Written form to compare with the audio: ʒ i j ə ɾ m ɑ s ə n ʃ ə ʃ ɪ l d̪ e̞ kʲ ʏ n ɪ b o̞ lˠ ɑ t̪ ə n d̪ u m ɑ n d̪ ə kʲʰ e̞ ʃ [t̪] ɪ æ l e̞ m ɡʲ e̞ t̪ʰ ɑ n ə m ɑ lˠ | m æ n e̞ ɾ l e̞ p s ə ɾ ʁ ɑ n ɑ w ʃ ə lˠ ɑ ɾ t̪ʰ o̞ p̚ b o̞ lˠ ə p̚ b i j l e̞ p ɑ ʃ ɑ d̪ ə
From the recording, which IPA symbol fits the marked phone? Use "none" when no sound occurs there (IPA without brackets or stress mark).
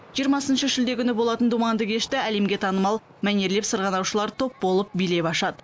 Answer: t̪